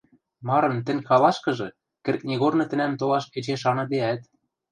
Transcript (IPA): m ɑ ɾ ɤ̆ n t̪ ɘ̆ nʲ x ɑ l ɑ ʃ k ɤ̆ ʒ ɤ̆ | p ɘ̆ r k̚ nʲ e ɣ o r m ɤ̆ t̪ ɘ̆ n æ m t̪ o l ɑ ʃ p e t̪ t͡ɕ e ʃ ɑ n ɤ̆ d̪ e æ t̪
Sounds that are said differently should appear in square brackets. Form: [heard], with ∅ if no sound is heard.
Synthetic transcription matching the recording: m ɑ ɾ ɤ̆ n t̪ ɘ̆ nʲ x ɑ l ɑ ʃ k ɤ̆ ʒ ɤ̆ | [k] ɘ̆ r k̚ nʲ e ɣ o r [n] ɤ̆ t̪ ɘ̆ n æ m t̪ o l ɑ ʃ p e [∅] t͡ɕ e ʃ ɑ n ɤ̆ d̪ e æ t̪